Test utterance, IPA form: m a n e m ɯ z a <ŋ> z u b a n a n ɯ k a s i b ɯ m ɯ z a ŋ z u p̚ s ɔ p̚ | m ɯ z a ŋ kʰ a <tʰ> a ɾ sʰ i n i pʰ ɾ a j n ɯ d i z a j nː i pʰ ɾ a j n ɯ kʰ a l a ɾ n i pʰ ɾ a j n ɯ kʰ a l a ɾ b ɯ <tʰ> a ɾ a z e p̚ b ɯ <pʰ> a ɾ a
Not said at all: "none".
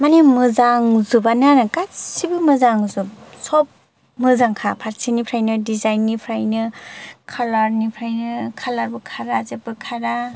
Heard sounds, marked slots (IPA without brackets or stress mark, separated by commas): ŋ, pʰ, kʰ, kʰ